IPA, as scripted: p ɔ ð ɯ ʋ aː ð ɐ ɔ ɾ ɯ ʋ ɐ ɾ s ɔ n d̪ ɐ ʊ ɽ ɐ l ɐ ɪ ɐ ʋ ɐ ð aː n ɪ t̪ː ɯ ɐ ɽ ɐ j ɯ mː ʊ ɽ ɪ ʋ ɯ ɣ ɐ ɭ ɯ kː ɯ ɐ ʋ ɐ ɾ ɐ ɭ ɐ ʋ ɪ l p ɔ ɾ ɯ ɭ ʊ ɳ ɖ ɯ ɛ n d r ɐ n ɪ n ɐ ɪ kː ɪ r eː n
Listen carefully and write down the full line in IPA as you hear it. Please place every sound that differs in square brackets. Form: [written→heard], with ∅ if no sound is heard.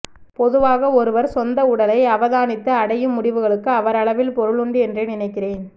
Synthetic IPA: p ɔ ð ɯ ʋ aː [ð→ɣ] ɐ ɔ ɾ ɯ ʋ ɐ ɾ s ɔ n d̪ ɐ ʊ ɽ ɐ l ɐ ɪ ɐ ʋ ɐ ð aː n ɪ t̪ː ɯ ɐ ɽ ɐ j ɯ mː ʊ ɽ ɪ ʋ ɯ ɣ ɐ ɭ ɯ kː ɯ ɐ ʋ ɐ ɾ ɐ ɭ ɐ ʋ ɪ l p ɔ ɾ ɯ ɭ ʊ ɳ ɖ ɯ ɛ n d r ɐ n ɪ n ɐ ɪ kː ɪ r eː n